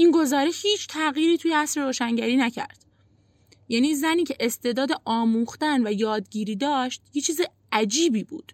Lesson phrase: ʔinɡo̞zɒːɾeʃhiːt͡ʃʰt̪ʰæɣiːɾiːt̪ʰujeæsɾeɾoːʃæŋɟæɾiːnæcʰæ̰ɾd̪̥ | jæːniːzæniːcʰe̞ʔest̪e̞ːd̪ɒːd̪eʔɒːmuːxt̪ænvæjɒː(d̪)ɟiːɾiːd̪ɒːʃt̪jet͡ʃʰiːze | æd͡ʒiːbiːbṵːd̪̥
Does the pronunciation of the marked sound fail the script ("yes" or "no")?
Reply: no